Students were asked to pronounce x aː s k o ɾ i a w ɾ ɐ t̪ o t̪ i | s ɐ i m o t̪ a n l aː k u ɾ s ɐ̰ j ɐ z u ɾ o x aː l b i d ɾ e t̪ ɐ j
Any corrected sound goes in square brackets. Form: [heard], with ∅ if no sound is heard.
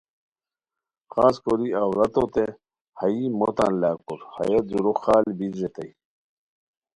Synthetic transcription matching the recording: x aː s k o ɾ i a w ɾ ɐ t̪ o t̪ [e] | [h] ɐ i m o t̪ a n l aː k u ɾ [h] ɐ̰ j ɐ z u ɾ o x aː l b i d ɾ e t̪ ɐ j